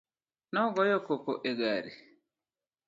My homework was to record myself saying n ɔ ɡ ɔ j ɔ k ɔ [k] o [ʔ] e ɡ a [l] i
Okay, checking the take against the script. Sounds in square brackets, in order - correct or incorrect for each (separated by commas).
correct, correct, incorrect